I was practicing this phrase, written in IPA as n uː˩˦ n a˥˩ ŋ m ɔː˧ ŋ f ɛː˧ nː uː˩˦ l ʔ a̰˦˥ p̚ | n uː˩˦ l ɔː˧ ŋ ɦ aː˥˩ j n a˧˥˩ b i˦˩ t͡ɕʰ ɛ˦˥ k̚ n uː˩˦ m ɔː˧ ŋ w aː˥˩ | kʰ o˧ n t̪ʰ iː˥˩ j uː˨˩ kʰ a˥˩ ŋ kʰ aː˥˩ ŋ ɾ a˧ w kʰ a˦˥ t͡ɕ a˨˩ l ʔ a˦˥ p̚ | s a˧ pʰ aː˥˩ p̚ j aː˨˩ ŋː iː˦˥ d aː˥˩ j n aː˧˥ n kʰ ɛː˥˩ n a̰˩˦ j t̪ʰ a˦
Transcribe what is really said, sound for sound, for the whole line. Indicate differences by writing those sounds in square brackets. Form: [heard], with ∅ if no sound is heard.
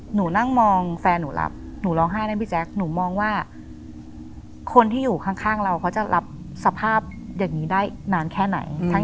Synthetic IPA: n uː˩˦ n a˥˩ ŋ m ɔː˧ ŋ f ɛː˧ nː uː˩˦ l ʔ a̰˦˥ p̚ | n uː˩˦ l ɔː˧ ŋ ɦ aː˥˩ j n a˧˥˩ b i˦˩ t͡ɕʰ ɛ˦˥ k̚ n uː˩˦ m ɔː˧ ŋ w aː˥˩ | kʰ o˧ n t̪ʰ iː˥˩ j uː˨˩ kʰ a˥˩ ŋ kʰ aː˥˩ ŋ ɾ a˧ w kʰ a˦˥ t͡ɕ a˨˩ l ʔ a˦˥ p̚ | s a˧ pʰ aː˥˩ p̚ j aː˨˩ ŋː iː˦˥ d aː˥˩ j n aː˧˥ n kʰ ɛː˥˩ n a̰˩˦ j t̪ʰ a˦